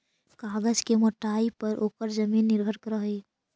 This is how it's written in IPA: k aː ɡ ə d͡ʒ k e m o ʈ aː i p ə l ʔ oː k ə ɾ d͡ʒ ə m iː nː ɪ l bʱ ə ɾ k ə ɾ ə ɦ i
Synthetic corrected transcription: k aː ɡ ə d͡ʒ k e m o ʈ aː i p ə ɾ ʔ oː k ə ɾ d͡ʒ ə m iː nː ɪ ɾ bʱ ə ɾ k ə ɾ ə ɦ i